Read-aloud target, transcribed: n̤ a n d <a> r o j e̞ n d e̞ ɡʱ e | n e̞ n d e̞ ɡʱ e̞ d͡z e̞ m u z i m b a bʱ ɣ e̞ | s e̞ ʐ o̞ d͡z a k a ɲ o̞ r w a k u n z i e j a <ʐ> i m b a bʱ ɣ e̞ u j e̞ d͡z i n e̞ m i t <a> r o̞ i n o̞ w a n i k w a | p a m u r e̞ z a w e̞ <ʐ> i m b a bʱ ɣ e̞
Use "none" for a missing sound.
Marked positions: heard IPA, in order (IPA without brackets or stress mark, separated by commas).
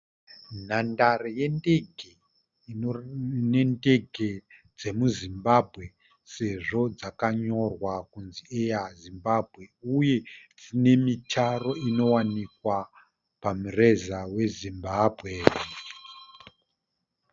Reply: a, z, a, z